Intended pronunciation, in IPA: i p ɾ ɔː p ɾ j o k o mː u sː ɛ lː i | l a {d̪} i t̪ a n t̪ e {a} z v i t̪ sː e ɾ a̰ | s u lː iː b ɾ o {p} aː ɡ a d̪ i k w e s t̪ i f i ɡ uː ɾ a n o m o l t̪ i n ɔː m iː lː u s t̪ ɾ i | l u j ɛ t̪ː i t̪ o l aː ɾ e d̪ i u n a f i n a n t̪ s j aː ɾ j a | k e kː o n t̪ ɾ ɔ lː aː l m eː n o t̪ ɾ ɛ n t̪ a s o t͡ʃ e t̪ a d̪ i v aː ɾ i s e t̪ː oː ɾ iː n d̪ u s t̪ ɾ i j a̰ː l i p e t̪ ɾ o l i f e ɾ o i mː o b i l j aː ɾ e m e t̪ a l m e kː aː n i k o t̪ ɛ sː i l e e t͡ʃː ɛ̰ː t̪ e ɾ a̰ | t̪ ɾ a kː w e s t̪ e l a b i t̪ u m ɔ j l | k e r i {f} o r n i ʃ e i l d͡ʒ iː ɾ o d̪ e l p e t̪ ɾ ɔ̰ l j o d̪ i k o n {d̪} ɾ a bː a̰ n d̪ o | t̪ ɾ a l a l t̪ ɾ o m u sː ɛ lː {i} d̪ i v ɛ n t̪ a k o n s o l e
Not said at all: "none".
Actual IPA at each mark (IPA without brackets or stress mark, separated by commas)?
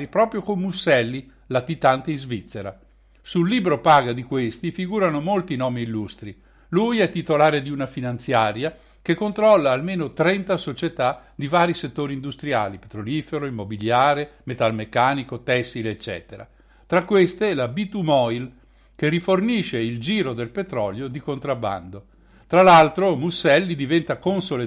t̪, i, p, f, t̪, i